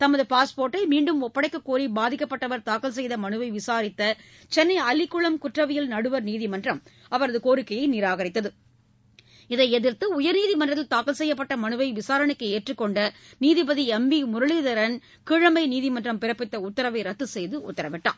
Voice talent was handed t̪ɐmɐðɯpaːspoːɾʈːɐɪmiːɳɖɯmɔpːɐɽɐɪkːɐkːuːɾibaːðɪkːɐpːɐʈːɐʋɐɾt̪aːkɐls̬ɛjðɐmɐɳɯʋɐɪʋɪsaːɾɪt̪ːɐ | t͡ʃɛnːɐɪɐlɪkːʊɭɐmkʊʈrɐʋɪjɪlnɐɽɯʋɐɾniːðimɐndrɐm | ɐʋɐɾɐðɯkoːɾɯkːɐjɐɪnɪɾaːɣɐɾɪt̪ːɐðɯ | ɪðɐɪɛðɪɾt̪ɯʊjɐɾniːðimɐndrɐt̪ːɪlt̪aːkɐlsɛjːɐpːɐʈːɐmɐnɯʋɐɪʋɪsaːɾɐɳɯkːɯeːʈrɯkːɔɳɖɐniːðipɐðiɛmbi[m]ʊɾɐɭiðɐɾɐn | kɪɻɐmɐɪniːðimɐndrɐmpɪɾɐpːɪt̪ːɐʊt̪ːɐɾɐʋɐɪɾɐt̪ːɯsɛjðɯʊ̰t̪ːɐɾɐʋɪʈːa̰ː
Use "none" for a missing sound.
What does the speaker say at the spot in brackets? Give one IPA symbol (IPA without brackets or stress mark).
m